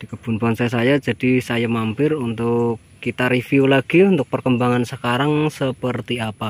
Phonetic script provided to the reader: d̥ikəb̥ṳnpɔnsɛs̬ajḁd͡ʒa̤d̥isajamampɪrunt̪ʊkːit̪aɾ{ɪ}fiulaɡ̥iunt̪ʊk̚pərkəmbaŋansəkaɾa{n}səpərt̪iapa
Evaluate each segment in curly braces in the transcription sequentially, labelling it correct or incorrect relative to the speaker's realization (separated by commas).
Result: incorrect, incorrect